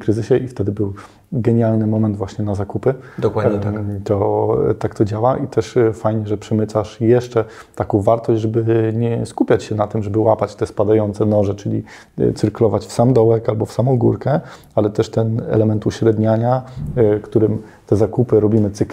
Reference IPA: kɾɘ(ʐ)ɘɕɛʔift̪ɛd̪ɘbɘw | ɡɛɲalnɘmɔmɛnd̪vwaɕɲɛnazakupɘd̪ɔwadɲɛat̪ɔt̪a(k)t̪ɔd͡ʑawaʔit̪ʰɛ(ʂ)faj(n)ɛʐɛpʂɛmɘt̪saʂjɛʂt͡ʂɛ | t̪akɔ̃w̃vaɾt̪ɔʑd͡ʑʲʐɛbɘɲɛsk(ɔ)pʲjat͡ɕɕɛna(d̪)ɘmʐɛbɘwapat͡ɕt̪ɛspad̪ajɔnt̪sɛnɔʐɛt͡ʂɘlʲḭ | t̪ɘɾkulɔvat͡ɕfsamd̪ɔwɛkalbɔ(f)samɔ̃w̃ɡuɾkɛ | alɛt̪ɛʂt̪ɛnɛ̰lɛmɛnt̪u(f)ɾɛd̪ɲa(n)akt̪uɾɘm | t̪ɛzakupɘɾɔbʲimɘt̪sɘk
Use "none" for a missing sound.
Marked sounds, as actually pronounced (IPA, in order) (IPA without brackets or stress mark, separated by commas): z, k, ʂ, ɲ, u, t̪, f, ɕ, ɲ